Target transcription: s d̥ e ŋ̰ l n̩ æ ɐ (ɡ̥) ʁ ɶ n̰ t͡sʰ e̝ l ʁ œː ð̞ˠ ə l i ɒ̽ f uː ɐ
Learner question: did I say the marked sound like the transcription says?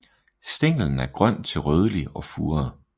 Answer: yes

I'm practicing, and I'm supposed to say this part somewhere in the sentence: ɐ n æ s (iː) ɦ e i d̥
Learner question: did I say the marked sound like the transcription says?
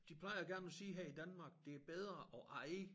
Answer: yes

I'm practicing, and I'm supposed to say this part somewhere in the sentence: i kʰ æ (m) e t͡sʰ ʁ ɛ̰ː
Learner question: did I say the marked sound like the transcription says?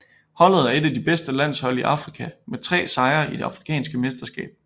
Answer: yes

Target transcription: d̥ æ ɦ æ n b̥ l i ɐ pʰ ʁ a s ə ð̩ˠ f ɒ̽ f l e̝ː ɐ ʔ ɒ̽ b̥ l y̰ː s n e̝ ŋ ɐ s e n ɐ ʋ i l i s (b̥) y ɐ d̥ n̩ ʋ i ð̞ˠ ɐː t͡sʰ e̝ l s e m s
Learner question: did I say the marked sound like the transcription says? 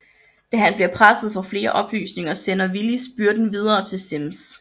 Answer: yes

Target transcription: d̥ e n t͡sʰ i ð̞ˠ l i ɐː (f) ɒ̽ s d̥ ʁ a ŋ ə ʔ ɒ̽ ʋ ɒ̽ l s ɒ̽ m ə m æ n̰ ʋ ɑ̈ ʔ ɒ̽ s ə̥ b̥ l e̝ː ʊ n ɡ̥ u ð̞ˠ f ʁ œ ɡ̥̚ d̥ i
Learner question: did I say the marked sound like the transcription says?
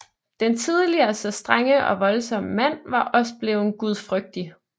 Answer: no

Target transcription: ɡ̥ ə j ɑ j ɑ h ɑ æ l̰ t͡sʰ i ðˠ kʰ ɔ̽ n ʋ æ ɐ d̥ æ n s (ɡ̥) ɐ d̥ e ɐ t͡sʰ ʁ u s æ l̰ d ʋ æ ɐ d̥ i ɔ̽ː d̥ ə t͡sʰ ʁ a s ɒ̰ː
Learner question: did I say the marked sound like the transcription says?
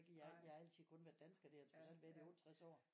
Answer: yes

